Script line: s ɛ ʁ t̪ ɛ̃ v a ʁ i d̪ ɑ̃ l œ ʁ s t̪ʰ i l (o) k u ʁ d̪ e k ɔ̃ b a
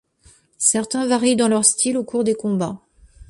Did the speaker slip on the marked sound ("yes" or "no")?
no